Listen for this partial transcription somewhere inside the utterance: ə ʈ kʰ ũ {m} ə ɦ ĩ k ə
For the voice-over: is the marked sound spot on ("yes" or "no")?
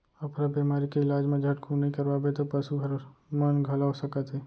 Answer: no